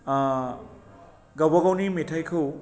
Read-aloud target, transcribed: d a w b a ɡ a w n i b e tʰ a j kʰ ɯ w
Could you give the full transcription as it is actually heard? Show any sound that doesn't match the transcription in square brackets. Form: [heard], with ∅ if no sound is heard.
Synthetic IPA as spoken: [ɡ] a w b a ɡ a w n i [m] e tʰ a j kʰ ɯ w